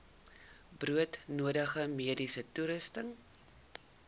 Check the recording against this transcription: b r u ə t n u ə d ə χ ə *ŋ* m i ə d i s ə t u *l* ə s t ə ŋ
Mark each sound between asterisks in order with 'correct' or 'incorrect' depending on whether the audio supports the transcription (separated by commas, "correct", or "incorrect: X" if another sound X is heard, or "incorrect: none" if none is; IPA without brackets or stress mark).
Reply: incorrect: none, incorrect: ɾ